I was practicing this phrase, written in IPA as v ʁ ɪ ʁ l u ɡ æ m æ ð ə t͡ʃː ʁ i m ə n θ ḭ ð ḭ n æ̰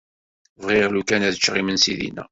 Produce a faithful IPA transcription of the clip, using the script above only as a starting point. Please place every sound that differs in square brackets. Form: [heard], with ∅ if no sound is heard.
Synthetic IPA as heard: v ʁ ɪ ʁ l u [k] æ [n] æ ð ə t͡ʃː ʁ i m ə n [s] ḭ ð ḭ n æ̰